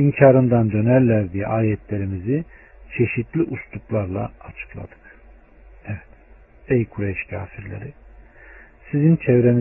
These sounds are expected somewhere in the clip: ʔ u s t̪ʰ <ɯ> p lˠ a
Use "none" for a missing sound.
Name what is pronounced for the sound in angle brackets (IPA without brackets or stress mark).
u